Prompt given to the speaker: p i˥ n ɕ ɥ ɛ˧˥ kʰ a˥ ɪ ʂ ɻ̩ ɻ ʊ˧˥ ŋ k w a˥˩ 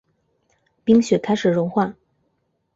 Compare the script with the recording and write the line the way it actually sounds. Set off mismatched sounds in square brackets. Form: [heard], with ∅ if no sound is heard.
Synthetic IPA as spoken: p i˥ [ŋ] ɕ ɥ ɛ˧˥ kʰ a˥ ɪ ʂ ɻ̩ ɻ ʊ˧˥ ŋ [x] w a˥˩